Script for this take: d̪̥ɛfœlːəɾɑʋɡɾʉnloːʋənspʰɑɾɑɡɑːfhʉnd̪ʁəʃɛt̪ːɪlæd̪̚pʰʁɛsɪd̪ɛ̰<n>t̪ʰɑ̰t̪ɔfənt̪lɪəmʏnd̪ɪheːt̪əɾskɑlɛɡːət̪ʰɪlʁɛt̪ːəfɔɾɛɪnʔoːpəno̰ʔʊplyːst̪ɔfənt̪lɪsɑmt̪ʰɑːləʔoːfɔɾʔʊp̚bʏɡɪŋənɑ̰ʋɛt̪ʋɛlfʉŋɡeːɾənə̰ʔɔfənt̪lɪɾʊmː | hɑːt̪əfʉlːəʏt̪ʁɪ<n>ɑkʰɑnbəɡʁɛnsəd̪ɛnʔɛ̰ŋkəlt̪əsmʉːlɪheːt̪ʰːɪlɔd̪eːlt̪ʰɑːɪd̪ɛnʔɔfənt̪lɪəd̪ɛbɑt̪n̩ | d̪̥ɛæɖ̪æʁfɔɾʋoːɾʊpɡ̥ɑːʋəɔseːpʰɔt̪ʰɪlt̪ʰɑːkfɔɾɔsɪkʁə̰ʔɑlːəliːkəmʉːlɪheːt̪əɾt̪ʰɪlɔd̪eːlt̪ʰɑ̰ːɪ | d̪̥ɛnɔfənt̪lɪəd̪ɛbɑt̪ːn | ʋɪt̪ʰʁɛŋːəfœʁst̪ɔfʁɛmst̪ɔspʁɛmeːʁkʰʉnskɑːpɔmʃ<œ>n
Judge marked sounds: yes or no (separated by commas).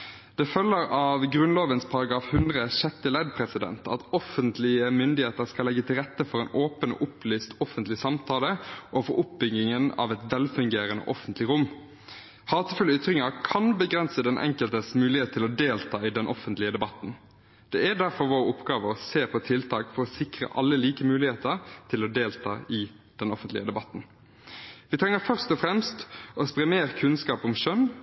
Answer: yes, no, yes